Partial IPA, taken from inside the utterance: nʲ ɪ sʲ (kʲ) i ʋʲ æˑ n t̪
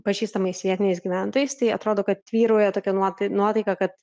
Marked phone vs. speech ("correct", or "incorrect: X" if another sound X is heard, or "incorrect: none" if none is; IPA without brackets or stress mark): incorrect: ɡʲ